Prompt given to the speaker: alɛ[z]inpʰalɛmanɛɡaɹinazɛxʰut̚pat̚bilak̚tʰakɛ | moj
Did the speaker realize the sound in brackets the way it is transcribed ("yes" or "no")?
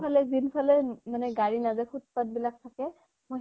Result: yes